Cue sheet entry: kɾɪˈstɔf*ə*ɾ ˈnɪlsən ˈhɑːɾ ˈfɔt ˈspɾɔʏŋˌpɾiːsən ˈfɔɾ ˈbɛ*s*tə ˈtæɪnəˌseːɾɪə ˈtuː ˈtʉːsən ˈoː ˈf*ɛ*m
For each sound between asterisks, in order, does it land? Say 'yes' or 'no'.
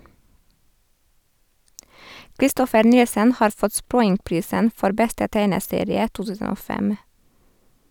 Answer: yes, yes, yes

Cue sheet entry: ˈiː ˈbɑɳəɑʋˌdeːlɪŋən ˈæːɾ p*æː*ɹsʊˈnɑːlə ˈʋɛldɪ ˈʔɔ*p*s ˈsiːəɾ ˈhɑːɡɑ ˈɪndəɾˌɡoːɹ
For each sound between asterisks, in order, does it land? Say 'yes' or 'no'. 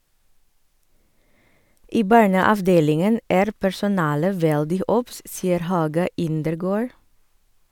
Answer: no, yes

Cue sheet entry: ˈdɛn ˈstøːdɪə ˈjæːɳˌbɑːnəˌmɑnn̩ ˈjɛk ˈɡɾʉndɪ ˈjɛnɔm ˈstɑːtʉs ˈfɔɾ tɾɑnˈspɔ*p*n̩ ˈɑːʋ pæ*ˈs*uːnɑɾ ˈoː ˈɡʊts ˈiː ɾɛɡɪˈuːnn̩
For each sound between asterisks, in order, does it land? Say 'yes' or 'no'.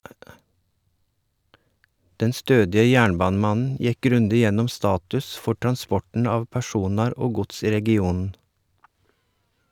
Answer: no, no

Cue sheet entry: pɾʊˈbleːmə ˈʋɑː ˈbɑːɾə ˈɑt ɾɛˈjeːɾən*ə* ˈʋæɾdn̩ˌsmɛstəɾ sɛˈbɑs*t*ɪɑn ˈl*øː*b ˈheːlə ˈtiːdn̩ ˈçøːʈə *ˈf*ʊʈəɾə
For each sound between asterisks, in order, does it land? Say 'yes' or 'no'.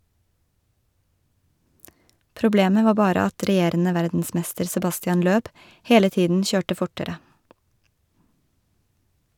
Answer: yes, yes, yes, yes

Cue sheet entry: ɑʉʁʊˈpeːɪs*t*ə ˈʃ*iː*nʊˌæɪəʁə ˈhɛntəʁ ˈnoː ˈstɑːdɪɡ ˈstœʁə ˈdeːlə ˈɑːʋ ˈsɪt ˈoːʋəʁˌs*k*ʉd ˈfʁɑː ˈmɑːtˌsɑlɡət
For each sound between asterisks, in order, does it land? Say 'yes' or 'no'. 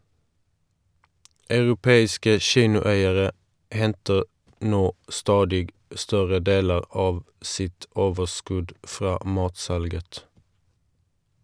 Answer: no, yes, yes

